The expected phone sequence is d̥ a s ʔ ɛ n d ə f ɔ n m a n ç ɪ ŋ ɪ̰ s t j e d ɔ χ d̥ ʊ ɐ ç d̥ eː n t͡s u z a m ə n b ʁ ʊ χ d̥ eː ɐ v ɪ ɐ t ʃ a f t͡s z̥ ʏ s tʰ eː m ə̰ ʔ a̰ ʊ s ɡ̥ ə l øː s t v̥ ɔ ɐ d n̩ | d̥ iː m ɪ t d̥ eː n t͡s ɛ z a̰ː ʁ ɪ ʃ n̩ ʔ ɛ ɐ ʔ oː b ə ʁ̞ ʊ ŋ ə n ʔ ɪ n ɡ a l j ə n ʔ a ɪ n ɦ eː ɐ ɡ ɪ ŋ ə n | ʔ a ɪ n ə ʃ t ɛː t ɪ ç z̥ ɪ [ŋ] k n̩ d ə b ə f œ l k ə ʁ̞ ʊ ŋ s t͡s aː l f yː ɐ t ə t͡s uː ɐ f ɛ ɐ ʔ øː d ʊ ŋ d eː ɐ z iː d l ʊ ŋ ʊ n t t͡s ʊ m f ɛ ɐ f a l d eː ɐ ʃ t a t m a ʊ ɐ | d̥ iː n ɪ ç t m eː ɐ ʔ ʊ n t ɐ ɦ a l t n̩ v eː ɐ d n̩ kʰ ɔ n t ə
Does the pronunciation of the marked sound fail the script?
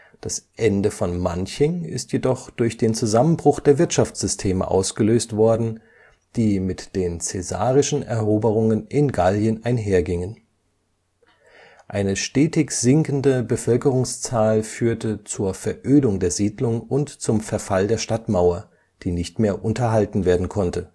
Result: no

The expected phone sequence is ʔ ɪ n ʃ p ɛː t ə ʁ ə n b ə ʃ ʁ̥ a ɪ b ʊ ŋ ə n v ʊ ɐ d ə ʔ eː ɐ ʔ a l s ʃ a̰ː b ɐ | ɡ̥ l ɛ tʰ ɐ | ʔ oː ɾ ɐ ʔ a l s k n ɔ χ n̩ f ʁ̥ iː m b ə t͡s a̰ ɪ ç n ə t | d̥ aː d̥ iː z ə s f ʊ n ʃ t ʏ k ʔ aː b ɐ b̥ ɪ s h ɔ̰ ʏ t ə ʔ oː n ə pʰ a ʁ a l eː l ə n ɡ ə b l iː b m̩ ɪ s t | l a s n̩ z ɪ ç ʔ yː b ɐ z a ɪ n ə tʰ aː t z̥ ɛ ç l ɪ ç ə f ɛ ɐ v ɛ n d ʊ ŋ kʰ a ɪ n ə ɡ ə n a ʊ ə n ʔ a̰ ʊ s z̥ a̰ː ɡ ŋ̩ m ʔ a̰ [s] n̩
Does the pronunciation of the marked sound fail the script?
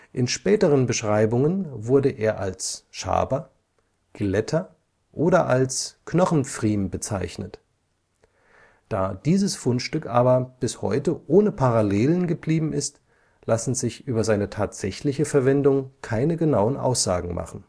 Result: yes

